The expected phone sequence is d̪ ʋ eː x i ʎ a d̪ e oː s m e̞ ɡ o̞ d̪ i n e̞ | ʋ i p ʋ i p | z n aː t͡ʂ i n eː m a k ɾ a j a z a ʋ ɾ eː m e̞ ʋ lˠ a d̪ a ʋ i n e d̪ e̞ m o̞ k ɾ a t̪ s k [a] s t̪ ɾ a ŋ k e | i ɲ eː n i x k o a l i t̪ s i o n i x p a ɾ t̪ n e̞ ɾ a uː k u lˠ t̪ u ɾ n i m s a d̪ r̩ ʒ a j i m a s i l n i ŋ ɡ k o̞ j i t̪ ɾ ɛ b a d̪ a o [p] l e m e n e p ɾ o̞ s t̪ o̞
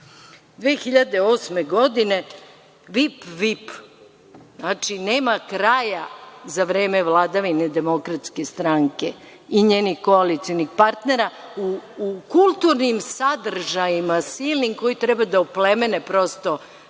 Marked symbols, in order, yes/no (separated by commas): no, yes